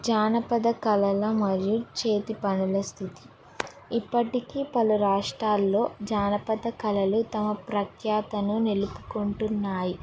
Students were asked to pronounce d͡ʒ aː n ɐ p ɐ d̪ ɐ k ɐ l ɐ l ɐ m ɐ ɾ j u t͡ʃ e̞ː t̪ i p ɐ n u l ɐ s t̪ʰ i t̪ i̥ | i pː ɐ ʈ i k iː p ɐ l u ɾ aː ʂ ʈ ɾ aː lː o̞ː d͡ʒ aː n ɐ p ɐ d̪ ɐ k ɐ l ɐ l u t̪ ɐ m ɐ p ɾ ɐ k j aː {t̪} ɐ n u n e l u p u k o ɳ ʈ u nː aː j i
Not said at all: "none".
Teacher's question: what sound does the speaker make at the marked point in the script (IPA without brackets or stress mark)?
t̪